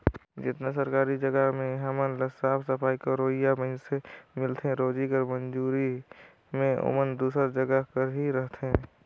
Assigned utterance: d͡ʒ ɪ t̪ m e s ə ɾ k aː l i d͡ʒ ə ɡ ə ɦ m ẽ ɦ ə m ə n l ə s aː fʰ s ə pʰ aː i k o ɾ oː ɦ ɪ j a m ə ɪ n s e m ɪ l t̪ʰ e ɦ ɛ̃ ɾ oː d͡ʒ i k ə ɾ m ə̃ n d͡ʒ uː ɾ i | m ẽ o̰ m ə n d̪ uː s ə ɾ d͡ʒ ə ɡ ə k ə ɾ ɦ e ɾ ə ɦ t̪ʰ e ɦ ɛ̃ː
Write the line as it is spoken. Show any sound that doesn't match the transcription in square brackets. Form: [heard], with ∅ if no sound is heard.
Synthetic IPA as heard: d͡ʒ ɪ t̪ [n] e s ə ɾ k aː [ɾ] i d͡ʒ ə ɡ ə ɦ m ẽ ɦ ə m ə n l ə s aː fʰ s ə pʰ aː i k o ɾ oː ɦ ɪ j a m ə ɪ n s e m ɪ l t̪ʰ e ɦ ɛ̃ ɾ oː d͡ʒ i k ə ɾ m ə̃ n d͡ʒ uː ɾ i | m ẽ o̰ m ə n d̪ uː s ə ɾ d͡ʒ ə ɡ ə k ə ɾ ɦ [i] ɾ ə ɦ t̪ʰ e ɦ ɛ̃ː